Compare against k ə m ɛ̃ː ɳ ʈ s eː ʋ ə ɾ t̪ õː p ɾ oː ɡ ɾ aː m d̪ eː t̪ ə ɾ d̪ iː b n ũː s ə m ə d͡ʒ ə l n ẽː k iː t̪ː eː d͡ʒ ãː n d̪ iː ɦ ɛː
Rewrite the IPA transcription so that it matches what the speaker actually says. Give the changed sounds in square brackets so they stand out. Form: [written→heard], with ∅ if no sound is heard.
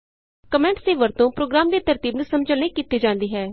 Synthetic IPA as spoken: k ə m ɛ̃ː ɳ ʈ s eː ʋ ə ɾ t̪ õː p ɾ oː ɡ ɾ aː m d̪ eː t̪ ə ɾ [d̪→t̪] iː b n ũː s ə m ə d͡ʒ ə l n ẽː k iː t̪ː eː d͡ʒ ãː n d̪ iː ɦ ɛː